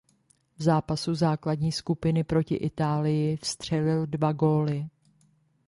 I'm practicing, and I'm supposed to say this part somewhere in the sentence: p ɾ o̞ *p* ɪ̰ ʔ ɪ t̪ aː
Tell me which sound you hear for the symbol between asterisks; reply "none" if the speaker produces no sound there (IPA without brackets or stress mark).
c